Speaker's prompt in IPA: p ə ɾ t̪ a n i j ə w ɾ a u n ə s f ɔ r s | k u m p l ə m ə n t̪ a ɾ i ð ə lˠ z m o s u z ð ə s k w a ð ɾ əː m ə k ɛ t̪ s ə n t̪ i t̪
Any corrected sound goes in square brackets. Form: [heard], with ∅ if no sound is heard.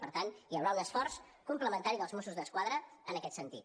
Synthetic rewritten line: p ə ɾ t̪ a n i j ə w ɾ a u n ə s f ɔ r s | k u m p l ə m ə n t̪ a ɾ i ð ə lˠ z m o s u z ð ə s k w a ð ɾ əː [n] ə k ɛ t̪ s ə n t̪ i t̪